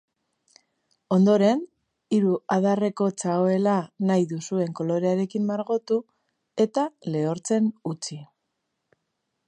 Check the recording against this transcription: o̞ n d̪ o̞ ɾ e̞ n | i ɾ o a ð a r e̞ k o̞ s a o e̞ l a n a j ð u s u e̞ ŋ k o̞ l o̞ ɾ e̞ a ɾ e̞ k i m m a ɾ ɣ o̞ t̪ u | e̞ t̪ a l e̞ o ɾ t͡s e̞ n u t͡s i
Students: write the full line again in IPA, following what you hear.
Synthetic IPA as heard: o̞ n d̪ o̞ ɾ e̞ n | i ɾ u a ð a r e̞ k o̞ t͡s a o e̞ l a n a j ð u s u e̞ ŋ k o̞ l o̞ ɾ e̞ a ɾ e̞ k i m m a ɾ ɣ o̞ t̪ u | e̞ t̪ a l e̞ o ɾ t͡s e̞ n u t͡s i